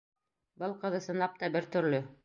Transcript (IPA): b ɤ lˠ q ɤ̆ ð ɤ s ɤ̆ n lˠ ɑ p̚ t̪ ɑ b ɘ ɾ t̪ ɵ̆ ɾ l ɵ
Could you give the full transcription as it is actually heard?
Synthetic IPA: b ɤ lˠ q ɤ̆ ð ɤ s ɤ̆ n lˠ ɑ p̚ t̪ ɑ b ɘ ɾ t̪ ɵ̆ ɾ l ɵ